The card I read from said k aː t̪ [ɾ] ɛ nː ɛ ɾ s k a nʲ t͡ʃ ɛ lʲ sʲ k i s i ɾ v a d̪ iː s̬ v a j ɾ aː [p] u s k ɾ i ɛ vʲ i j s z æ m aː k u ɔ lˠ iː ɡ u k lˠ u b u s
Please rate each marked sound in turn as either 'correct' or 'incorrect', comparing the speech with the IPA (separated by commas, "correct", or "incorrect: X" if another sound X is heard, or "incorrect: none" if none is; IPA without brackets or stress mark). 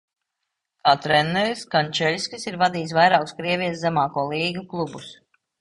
correct, incorrect: k